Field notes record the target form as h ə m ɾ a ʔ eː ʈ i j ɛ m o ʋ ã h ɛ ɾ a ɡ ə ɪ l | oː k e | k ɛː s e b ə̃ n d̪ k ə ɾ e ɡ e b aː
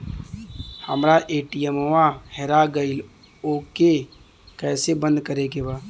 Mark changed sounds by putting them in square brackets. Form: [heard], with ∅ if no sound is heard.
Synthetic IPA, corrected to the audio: h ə m ɾ a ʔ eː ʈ i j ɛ m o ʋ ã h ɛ ɾ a ɡ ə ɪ l | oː k e | k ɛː s e b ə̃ n d̪ k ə ɾ e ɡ e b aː